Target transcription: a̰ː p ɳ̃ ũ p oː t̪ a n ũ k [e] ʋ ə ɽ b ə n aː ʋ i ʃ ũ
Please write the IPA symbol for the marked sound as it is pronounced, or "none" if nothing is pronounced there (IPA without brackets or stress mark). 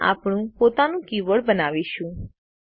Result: i